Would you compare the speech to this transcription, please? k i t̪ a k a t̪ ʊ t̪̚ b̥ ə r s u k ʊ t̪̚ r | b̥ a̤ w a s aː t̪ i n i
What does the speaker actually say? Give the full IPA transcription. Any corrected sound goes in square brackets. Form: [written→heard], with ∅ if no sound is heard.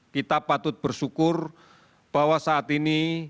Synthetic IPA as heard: k i t̪ a [k→p] a t̪ ʊ t̪̚ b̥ ə r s u k ʊ [t̪̚→∅] r | b̥ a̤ w a s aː t̪ i n i

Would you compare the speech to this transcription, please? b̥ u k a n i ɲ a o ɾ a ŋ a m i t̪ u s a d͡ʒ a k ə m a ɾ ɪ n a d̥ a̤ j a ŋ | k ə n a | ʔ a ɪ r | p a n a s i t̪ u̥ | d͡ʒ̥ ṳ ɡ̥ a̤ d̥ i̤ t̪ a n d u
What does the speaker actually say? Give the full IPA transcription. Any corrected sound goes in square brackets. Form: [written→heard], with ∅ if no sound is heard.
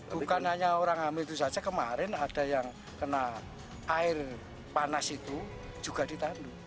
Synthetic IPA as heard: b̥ u k a n [i→a] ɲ a o ɾ a ŋ a m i t̪ u s a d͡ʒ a k ə m a ɾ ɪ n a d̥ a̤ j a ŋ | k ə n a | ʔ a ɪ r | p a n a s i t̪ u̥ | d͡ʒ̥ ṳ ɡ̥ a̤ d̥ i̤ t̪ a n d u

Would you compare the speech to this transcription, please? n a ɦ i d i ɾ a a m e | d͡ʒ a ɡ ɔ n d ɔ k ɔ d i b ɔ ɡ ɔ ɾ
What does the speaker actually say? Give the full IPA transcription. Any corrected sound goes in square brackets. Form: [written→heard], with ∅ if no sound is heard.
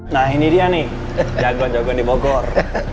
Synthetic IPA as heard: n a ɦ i [d→n] i ɾ [a→i] a [m→n] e | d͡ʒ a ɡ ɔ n [d→d͡ʒ] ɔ [k→ɡ] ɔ [d→n] i b ɔ ɡ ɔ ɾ

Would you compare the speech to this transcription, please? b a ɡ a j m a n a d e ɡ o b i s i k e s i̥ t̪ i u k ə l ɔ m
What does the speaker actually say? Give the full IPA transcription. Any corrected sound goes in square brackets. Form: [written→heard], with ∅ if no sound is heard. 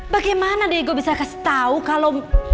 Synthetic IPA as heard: b a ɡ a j m a n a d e ɡ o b i s [i→a] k [e→a] s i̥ t̪ [i→a] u k [ə→a] l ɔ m

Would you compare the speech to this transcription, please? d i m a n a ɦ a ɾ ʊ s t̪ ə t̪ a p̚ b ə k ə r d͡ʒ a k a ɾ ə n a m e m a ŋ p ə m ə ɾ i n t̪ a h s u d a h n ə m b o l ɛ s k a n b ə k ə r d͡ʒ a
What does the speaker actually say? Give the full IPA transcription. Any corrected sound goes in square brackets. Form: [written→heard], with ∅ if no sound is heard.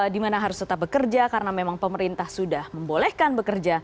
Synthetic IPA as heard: d i m a n a ɦ a ɾ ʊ s t̪ ə t̪ a p̚ b ə k ə r d͡ʒ a k a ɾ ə n a m e m a ŋ p ə m ə ɾ i n t̪ a h s u d a h [n→m] ə m b o l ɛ [s→h] k a n b ə k ə r d͡ʒ a

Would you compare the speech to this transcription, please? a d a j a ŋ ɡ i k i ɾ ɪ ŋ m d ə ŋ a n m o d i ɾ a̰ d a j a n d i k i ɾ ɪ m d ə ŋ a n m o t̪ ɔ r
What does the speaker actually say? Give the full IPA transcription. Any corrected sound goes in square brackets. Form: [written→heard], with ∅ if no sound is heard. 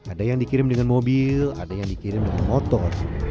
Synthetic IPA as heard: a d a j a ŋ [ɡ→d] i k i ɾ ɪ [ŋ→∅] m d ə ŋ a n m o [d→b] i [ɾ→l] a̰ d a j a [n→ŋ] d i k i ɾ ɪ m d ə ŋ a n m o t̪ ɔ r

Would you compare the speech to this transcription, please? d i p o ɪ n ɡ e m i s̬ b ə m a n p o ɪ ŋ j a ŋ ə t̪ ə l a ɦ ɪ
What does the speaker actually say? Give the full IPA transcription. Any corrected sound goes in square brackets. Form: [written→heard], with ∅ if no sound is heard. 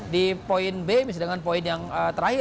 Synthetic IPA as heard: d i p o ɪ n [ɡ→b] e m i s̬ [b→d] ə [m→ŋ] a n p o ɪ [ŋ→n] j a ŋ ə t̪ ə [l→ɾ] a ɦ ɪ

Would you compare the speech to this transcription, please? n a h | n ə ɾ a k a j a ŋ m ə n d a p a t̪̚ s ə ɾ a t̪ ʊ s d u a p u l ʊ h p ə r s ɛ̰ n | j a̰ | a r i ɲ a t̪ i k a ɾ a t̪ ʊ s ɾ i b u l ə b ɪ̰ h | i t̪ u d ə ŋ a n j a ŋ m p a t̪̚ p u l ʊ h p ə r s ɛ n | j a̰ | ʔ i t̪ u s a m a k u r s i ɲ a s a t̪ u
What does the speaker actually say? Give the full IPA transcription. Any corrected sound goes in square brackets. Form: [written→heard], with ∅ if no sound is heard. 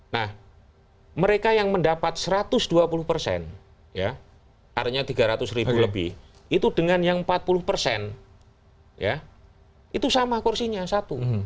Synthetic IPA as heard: n a h | [n→m] ə ɾ [a→e] k a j a ŋ m ə n d a p a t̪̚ s ə ɾ a t̪ ʊ s d u a p u l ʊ h p ə r s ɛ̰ n | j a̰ | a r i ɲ a t̪ i [k→ɡ] a ɾ a t̪ ʊ s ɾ i b u l ə b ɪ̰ h | i t̪ u d ə ŋ a n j a ŋ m p a t̪̚ p u l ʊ h p ə r s ɛ n | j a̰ | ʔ i t̪ u s a m a k u r s i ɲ a s a t̪ u

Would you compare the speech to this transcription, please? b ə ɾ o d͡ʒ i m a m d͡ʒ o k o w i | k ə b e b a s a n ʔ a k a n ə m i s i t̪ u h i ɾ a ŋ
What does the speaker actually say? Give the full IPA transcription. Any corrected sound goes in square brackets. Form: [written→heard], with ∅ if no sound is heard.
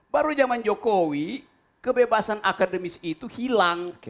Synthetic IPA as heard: b [ə→a] ɾ [o→u] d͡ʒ [i→a] m a [m→n] d͡ʒ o k o w i | k ə b e b a s a n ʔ a k a [n→d] ə m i s i t̪ u h i [ɾ→l] a ŋ

